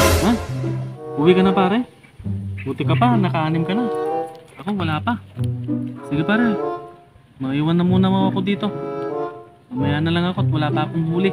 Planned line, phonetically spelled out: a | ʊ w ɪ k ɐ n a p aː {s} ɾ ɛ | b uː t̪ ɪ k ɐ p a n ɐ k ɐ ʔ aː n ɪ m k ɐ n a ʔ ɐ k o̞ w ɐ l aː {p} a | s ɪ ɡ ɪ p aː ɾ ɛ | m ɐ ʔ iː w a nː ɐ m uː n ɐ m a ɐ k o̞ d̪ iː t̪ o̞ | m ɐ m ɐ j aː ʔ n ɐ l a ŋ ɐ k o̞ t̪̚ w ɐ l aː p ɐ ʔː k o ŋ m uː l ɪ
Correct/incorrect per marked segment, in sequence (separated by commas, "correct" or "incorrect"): incorrect, correct